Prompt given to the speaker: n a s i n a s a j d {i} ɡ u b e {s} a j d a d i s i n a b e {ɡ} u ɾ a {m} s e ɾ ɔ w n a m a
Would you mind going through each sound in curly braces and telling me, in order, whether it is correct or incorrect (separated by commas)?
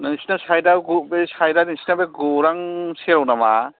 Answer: incorrect, correct, correct, incorrect